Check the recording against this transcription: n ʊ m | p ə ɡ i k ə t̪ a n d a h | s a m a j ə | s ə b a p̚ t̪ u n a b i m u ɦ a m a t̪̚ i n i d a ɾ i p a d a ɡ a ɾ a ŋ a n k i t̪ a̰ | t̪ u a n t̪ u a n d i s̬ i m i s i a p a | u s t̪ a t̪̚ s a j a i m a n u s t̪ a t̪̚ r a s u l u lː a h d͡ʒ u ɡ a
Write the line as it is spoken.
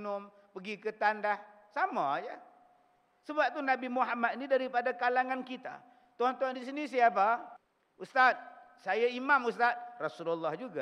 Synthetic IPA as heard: n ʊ m | p ə ɡ i k ə t̪ a n d a h | s a m a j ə | s ə b a p̚ t̪ u n a b i m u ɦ a m a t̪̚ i n i d a ɾ i p a d a k a l a ŋ a n k i t̪ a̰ | t̪ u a n t̪ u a n d i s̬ i n i s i a p a | u s t̪ a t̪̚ s a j a i m a m u s t̪ a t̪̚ r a s u l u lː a h d͡ʒ u ɡ a